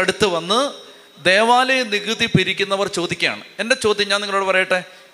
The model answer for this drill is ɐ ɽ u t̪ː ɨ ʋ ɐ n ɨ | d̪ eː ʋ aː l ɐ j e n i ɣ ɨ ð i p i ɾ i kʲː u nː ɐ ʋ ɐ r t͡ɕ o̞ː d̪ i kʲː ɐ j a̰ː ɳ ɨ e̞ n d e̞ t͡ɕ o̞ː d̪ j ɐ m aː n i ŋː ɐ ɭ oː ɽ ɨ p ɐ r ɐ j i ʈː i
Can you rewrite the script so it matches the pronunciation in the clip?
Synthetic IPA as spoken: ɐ ɽ u t̪ː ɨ ʋ ɐ nː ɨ | d̪ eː ʋ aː l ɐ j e n i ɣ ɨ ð i p i ɾ i kʲː u nː ɐ ʋ ɐ r t͡ɕ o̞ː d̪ i kʲː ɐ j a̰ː ɳ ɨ e̞ n d e̞ t͡ɕ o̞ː d̪ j ɐ ɲ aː n i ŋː ɐ ɭ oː ɽ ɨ p ɐ r ɐ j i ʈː e